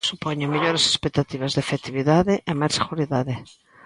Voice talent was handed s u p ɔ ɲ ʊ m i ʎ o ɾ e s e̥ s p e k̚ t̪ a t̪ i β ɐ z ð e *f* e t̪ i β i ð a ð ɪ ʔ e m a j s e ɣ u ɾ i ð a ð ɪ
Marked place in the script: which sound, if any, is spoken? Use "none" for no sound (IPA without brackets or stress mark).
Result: f